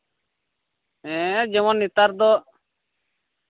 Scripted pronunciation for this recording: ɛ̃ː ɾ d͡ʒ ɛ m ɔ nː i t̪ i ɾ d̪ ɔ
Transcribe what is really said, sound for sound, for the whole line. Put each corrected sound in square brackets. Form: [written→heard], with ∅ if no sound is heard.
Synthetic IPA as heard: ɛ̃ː [ɾ→∅] d͡ʒ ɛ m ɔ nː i t̪ [i→a] ɾ d̪ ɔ